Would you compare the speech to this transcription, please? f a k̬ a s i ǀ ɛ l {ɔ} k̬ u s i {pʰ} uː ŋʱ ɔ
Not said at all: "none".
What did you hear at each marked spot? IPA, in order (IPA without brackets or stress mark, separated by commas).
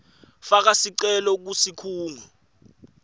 ɔ, kʰ